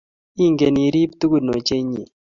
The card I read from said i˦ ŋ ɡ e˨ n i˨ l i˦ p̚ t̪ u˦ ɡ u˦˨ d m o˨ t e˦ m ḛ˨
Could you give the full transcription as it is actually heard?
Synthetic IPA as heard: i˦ ŋ ɡ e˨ n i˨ ɾ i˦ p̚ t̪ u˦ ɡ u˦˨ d n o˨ t͡ʃ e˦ ɲ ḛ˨